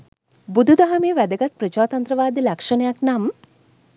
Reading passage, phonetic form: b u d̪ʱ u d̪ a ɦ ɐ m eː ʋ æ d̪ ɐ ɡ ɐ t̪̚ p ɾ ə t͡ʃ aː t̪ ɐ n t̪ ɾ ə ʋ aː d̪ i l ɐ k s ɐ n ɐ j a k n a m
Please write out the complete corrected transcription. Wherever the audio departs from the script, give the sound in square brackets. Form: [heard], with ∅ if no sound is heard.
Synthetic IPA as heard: b u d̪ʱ u d̪ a ɦ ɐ m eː ʋ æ d̪ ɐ ɡ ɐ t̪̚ p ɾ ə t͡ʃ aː t̪ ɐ n t̪ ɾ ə ʋ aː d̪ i l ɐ k [ʂ] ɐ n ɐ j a k n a m